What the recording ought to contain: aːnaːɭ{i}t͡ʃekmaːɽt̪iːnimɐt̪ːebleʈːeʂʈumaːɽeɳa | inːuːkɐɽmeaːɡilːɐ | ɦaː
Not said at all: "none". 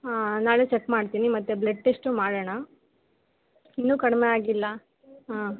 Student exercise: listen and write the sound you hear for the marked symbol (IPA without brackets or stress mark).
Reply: e